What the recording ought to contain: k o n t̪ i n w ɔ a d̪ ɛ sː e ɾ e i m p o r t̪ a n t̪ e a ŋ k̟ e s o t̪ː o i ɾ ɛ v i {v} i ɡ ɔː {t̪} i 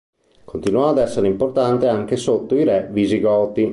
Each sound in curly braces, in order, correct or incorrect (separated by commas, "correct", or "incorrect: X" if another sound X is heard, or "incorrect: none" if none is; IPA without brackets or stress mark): incorrect: z, correct